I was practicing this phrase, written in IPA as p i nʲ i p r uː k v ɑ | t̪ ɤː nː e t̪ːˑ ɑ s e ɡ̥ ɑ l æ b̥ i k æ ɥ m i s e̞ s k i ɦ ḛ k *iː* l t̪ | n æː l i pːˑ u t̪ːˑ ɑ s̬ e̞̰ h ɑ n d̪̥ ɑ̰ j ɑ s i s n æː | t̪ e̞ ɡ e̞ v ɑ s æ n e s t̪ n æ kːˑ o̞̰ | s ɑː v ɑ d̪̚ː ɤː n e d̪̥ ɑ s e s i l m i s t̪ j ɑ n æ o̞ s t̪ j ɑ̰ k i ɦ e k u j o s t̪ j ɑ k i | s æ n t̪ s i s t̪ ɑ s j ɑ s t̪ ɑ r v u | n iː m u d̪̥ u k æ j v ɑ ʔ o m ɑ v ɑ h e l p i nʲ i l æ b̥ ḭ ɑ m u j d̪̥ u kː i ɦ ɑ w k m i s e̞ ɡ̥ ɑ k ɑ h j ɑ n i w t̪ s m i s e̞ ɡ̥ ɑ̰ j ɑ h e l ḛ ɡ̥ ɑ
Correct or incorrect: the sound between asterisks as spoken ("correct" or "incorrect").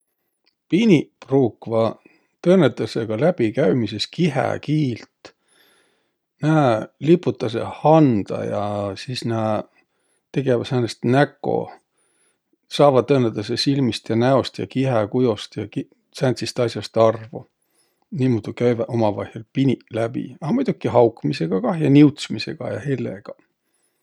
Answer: correct